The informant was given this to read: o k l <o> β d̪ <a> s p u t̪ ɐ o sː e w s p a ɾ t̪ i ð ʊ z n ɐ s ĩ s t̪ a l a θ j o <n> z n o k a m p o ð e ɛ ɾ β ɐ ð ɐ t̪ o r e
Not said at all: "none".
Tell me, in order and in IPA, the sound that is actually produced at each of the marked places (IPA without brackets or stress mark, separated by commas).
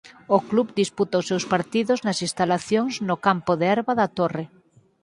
u, i, ŋ